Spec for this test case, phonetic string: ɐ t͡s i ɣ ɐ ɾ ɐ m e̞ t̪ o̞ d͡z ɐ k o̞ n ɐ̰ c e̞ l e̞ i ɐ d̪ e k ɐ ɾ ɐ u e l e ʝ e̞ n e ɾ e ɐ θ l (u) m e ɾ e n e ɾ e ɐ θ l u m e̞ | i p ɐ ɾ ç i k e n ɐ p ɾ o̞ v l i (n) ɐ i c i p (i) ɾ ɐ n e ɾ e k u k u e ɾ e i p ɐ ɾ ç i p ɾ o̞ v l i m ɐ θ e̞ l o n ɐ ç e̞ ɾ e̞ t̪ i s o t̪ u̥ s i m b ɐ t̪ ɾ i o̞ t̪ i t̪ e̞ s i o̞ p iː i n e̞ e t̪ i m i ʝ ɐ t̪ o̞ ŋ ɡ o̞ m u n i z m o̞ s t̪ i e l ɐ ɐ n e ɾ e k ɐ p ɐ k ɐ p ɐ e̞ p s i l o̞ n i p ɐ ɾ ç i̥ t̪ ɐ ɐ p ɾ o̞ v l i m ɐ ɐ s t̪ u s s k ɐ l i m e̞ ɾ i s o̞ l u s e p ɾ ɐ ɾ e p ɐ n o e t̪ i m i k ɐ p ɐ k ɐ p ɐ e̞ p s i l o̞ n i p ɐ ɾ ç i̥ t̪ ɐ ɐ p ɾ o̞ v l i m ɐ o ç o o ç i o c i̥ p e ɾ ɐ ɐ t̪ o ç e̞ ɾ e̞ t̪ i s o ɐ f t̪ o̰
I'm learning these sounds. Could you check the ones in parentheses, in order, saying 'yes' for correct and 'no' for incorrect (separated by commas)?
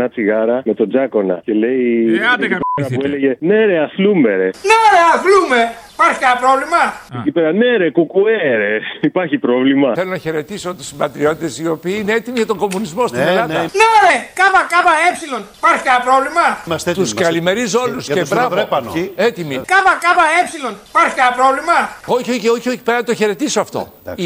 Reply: yes, no, no